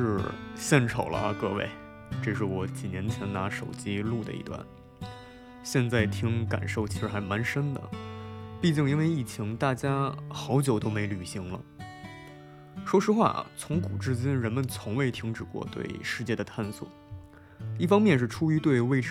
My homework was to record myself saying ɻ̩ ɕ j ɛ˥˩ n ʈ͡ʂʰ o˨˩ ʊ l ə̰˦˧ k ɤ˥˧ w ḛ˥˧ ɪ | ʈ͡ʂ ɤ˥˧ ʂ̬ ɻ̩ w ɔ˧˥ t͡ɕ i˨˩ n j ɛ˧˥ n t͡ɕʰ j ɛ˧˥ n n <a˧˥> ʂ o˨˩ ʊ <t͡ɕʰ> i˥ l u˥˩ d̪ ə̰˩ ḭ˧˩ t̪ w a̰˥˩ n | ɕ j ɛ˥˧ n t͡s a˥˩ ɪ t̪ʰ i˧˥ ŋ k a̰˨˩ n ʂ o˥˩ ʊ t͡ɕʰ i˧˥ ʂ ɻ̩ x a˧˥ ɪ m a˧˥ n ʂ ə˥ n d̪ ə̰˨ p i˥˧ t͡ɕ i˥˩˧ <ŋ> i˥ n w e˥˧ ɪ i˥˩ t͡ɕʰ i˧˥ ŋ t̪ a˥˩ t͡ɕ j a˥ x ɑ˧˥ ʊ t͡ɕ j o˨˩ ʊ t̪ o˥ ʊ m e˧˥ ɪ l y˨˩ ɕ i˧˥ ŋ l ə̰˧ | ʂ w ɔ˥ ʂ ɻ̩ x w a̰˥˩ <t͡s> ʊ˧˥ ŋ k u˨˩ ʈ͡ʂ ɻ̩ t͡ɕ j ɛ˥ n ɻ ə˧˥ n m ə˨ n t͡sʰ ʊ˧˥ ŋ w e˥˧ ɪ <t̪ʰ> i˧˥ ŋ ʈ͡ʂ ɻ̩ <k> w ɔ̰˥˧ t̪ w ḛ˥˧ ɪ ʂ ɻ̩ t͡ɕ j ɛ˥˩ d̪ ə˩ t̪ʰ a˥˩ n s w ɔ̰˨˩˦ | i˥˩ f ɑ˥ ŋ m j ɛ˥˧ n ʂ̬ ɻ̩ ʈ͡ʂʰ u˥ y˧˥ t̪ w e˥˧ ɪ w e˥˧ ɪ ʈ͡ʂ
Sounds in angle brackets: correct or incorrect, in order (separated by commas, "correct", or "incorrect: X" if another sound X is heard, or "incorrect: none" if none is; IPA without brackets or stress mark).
correct, incorrect: t͡ɕ, correct, incorrect: t͡sʰ, correct, correct